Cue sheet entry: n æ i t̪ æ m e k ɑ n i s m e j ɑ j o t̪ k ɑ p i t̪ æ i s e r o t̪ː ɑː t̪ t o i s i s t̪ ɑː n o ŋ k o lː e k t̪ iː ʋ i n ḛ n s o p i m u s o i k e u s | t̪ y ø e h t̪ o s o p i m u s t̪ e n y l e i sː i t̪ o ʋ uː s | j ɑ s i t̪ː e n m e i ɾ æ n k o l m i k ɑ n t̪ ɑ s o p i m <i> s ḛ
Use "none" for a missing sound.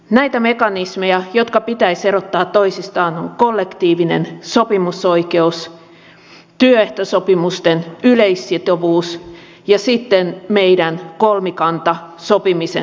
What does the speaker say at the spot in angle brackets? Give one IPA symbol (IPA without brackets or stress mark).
i